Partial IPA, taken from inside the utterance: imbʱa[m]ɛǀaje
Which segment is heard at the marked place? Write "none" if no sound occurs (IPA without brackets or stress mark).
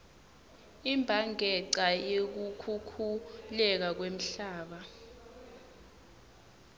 ŋ